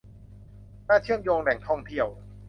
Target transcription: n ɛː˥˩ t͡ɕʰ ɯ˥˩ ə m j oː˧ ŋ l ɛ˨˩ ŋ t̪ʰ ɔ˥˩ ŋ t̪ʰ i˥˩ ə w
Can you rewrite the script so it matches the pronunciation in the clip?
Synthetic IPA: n aː˥˩ t͡ɕʰ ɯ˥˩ ə m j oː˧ ŋ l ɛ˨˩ ŋ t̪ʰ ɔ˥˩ ŋ t̪ʰ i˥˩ ə w